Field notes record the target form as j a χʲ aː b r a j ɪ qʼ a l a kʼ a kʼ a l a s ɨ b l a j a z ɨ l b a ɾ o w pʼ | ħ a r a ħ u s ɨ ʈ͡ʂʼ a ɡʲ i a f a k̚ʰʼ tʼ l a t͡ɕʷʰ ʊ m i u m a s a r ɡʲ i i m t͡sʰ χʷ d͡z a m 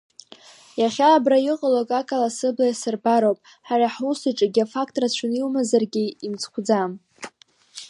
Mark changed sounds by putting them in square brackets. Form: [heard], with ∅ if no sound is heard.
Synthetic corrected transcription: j a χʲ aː b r a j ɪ qʼ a l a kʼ a kʼ a l a s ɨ b l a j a [s] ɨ [r] b a ɾ o w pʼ | ħ a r a ħ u s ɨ ʈ͡ʂʼ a ɡʲ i a f a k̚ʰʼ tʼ [r] a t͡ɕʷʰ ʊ [n] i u m a [z] a r ɡʲ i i m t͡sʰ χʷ d͡z a m